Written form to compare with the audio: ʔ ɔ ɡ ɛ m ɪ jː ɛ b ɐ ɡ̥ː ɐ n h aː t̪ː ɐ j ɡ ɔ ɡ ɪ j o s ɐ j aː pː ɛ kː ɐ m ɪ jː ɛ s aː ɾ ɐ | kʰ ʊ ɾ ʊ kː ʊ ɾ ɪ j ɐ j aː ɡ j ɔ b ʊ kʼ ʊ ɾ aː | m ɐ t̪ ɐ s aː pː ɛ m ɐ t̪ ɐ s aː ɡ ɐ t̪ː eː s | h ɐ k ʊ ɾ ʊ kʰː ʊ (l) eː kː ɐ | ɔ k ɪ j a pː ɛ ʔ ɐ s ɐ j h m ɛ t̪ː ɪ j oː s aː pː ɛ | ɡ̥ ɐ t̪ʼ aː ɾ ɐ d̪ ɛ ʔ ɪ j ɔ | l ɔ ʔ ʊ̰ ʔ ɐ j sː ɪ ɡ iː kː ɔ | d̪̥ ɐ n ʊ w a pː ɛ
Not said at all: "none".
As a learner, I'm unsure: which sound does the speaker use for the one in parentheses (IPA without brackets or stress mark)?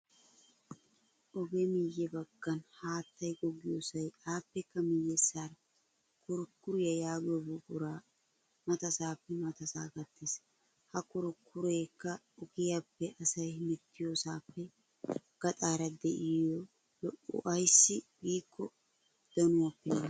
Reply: ɾ